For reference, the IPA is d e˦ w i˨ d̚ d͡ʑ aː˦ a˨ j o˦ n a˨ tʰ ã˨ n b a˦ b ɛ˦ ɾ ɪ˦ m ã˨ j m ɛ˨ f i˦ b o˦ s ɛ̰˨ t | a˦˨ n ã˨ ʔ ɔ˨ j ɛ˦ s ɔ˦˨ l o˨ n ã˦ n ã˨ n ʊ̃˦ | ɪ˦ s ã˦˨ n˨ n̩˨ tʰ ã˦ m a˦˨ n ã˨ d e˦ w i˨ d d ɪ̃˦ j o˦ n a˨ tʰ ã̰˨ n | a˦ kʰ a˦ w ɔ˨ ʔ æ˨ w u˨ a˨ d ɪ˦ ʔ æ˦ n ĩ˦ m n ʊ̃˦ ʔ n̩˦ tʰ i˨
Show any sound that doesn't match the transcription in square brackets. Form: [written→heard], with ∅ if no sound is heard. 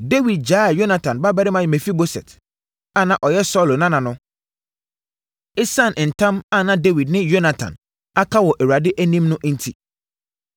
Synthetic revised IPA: d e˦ w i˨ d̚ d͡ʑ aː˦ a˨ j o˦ n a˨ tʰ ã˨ n b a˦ b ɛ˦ ɾ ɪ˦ m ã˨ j m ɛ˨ f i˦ b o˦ s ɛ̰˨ t | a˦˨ n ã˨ ʔ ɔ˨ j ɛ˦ s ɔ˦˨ l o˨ n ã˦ n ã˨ n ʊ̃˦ | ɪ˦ s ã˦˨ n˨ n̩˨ tʰ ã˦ m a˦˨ n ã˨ d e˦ w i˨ d [d→n] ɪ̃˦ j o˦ n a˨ tʰ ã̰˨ n | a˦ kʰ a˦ w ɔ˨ ʔ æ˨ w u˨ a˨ d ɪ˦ ʔ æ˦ n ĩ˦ m n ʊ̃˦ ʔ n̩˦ tʰ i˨